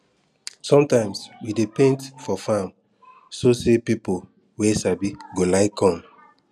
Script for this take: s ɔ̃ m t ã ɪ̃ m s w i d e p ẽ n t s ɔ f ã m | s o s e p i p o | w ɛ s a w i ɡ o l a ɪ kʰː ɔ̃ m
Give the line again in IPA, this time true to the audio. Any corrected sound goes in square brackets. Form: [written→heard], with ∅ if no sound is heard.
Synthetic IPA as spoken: s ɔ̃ m t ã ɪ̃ m s w i d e p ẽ n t [s→f] ɔ f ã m | s o s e p i p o | w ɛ s a [w→b] i ɡ o l a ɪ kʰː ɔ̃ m